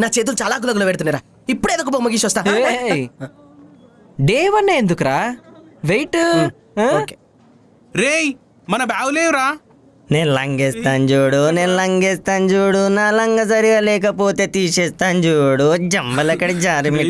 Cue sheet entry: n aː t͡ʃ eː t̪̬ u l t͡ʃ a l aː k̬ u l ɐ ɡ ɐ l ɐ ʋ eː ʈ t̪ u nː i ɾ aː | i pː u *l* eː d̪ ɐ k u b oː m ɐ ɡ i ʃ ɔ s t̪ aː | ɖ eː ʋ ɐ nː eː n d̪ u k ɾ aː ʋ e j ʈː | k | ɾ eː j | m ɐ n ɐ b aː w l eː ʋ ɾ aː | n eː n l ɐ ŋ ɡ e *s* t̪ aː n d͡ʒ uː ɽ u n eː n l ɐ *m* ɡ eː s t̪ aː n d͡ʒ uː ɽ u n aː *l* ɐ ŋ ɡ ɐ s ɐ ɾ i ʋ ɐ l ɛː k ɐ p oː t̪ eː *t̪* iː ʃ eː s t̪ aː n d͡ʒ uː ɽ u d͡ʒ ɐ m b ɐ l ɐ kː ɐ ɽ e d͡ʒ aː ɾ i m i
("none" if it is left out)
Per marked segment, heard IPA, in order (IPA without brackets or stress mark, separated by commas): ɽ, s, ŋ, l, t̪